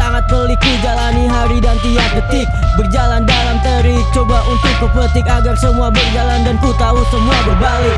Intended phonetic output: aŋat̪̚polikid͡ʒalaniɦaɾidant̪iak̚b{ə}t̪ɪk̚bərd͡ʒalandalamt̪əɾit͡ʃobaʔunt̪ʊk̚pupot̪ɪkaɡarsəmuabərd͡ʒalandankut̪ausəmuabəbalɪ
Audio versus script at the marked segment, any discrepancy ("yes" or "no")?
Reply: no